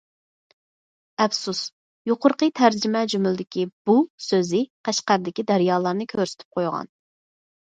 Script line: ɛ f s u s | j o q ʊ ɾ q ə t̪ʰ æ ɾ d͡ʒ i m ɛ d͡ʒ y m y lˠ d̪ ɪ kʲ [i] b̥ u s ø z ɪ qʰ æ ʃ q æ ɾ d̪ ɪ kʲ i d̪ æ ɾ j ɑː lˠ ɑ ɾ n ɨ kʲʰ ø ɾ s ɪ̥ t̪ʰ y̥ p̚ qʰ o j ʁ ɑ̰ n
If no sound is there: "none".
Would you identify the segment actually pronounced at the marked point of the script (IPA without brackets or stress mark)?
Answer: i